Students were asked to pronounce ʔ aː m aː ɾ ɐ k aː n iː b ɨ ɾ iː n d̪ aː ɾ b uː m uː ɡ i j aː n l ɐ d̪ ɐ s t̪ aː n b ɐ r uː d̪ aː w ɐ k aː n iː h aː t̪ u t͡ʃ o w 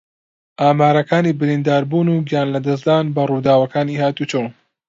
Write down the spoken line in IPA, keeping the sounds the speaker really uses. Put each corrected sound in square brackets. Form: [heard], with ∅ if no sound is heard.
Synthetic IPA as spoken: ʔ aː m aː ɾ ɐ k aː n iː b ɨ ɾ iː n d̪ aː ɾ b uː [n] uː ɡ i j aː n l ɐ d̪ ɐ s [d̪] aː n b ɐ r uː d̪ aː w ɐ k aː n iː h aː t̪ u t͡ʃ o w